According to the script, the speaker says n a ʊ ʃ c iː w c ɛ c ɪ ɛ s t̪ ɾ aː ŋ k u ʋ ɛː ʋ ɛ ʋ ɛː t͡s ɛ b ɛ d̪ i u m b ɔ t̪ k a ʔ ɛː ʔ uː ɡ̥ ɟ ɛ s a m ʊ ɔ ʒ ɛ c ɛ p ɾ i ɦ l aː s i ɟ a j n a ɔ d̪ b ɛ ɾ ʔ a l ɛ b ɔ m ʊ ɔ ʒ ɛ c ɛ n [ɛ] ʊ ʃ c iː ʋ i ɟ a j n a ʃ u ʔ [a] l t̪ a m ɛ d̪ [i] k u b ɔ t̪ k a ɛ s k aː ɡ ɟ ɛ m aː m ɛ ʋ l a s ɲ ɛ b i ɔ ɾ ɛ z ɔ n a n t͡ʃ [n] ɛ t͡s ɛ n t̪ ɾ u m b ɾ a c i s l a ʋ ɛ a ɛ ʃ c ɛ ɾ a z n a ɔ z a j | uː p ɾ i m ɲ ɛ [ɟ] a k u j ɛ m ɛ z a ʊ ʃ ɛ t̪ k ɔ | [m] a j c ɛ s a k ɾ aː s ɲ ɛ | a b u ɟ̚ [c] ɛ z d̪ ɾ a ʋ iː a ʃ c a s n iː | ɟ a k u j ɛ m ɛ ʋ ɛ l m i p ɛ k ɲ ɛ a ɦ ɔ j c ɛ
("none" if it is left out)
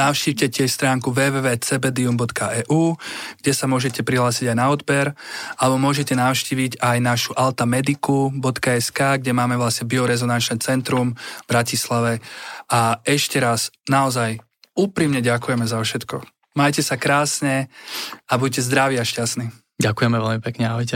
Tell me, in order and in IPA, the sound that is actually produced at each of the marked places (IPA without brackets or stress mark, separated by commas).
a, a, i, n, ɟ, m, c